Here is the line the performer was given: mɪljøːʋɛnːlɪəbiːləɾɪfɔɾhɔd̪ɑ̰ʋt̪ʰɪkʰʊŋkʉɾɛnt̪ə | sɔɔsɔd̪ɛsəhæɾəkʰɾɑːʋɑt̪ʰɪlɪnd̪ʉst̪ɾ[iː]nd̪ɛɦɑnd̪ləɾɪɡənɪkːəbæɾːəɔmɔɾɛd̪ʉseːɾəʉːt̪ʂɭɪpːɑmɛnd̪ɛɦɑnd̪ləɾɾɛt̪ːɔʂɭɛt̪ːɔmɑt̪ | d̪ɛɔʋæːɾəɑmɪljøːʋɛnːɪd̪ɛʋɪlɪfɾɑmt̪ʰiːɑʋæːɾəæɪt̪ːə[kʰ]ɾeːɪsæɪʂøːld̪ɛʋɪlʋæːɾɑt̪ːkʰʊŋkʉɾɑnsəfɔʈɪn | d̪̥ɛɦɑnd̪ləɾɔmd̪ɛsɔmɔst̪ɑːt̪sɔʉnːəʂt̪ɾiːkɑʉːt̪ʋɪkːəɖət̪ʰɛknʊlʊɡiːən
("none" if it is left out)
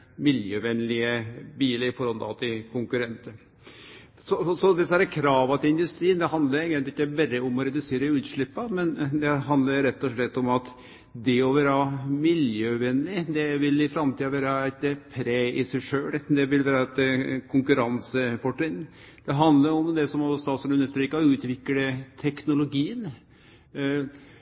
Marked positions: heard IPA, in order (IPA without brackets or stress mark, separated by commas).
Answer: iː, pʰ